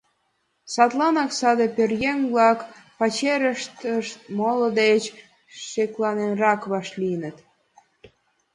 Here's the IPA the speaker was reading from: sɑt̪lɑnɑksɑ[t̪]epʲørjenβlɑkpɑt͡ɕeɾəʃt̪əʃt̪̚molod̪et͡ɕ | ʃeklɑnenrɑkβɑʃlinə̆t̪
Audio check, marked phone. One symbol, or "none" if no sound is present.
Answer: d̪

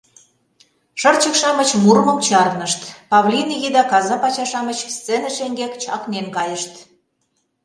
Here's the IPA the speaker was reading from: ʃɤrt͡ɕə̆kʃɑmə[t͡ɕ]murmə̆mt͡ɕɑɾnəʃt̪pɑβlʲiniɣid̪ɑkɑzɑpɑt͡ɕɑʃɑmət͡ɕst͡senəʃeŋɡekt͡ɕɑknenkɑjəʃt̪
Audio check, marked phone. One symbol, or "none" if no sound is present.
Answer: t͡ɕ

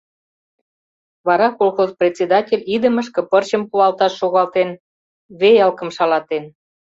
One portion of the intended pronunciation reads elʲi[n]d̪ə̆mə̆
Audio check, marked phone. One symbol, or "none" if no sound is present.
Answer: none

